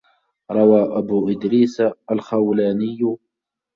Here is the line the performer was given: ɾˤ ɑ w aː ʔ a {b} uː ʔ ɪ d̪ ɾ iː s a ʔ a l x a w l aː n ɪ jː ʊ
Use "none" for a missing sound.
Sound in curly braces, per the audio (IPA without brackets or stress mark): b